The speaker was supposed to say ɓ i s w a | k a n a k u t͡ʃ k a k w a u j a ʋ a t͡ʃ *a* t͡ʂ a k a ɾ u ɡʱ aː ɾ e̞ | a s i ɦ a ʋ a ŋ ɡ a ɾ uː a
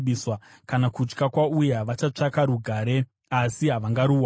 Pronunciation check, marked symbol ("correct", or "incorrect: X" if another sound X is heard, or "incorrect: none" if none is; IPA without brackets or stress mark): correct